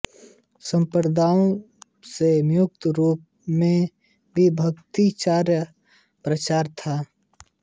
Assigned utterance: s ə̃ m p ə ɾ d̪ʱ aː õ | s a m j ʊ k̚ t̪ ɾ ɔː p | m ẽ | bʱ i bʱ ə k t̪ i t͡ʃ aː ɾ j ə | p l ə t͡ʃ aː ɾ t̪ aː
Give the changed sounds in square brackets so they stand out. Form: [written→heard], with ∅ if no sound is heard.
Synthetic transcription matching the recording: s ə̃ m p ə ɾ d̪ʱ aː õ | s [a→e] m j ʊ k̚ t̪ ɾ [ɔː→uː] p | m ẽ | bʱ i bʱ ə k t̪ i t͡ʃ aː ɾ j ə | p [l→ɾ] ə t͡ʃ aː ɾ [t̪→t̪ʰ] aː